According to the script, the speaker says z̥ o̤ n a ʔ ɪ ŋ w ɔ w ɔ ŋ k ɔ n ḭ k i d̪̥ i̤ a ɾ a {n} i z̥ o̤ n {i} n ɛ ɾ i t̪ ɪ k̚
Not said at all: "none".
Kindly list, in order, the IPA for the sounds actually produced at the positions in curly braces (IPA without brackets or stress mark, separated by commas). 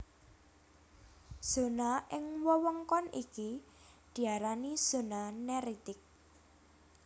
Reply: n, a